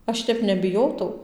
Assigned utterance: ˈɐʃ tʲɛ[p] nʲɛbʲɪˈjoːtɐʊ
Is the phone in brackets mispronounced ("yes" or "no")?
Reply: no